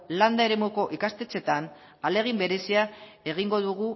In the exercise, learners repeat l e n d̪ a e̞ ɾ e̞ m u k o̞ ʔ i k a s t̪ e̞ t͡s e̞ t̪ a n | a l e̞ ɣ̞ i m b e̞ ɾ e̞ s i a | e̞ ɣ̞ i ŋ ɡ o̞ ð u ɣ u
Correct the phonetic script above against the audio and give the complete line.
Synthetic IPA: l a n d̪ a e̞ ɾ e̞ m u k o̞ ʔ i k a s t̪ e̞ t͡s e̞ t̪ a n | a l e̞ ɣ̞ i m b e̞ ɾ e̞ s i a | e̞ ɣ̞ i ŋ ɡ o̞ ð u ɣ u